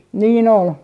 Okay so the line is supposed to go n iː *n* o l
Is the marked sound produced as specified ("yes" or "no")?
yes